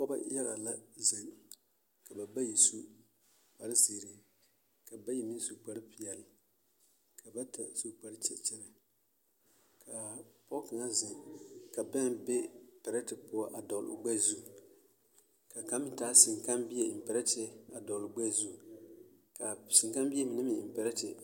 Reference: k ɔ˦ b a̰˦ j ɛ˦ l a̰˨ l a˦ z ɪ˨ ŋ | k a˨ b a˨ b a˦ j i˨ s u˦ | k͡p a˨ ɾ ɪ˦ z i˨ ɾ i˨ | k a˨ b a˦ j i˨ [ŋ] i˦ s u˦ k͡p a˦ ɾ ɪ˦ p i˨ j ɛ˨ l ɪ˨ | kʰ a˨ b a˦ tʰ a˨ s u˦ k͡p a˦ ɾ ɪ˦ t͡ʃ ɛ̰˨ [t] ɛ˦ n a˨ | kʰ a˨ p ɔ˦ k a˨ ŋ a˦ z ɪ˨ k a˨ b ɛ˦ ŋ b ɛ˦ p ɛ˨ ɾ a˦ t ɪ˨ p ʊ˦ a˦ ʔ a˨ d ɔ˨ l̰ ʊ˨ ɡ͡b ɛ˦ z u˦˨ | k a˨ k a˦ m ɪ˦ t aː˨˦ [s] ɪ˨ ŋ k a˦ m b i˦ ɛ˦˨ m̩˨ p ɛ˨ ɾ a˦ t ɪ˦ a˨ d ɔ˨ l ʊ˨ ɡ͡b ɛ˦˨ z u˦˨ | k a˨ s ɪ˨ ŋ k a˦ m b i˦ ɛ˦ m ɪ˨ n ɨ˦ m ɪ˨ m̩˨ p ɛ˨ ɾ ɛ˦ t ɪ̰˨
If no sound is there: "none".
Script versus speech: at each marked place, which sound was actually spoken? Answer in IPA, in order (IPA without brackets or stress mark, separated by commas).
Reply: m, t͡ʃ, s